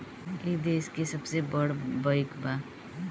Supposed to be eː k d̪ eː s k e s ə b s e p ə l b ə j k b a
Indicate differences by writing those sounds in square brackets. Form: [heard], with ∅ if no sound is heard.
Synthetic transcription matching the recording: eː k d̪ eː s k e s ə b s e [b] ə [ɽ] b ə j k b a